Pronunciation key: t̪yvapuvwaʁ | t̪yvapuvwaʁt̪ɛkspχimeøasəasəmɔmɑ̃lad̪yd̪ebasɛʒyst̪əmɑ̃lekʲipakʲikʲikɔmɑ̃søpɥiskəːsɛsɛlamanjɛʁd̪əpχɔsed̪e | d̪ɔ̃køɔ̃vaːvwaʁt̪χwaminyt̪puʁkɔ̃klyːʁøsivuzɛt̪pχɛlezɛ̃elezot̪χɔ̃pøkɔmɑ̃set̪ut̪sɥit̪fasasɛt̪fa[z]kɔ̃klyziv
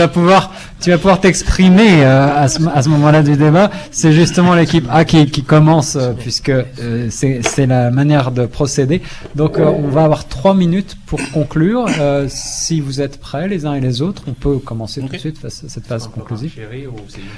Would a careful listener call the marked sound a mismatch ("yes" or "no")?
no